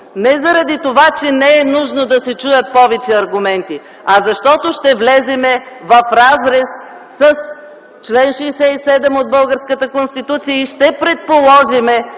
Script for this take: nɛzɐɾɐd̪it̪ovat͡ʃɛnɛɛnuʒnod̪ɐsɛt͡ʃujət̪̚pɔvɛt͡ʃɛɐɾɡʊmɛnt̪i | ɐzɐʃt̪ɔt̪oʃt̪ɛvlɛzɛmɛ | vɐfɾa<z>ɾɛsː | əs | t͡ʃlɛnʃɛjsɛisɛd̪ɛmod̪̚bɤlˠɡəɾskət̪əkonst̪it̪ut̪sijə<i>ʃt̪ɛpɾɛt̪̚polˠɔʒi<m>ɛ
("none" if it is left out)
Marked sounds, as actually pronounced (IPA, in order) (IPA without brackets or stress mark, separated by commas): z, i, m